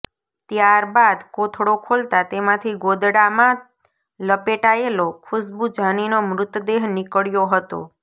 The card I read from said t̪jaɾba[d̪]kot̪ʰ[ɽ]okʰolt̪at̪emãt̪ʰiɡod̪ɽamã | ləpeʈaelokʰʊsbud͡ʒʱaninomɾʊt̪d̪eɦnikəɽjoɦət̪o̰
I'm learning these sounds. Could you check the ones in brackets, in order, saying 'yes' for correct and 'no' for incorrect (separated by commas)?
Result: yes, yes